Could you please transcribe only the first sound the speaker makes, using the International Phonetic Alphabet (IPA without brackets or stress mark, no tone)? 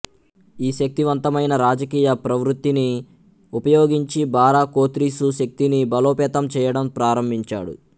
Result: iː